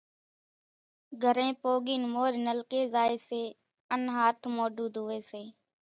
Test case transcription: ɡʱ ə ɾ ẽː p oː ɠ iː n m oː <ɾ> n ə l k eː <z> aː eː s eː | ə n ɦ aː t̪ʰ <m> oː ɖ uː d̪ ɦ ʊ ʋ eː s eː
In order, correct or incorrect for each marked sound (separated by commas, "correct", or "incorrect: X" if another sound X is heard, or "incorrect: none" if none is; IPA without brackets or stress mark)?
correct, correct, correct